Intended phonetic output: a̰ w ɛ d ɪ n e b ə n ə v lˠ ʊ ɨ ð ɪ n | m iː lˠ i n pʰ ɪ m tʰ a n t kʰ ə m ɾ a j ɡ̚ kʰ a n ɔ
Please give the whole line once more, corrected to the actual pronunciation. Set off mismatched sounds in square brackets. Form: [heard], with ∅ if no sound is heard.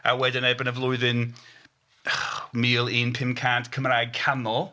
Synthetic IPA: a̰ w ɛ d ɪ n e b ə n ə v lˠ ʊ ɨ ð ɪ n | m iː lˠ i n pʰ ɪ m [kʰ] a n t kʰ ə m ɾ a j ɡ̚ kʰ a n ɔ